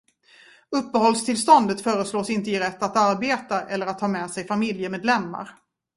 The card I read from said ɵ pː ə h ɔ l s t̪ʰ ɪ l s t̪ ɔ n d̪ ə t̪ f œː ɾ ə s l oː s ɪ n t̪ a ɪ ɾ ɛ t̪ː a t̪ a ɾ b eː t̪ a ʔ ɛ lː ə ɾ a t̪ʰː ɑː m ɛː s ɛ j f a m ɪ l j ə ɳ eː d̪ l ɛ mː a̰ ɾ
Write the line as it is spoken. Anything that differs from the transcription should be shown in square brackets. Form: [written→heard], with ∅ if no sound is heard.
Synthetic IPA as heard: ɵ pː ə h ɔ l s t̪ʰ ɪ l s t̪ ɔ n d̪ ə t̪ f œː ɾ ə s l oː s ɪ n t̪ [a→ə] ɪ ɾ ɛ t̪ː a t̪ a ɾ b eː t̪ a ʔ ɛ lː ə ɾ a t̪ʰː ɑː m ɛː s ɛ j f a m ɪ l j ə [ɳ→m] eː d̪ l ɛ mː a̰ ɾ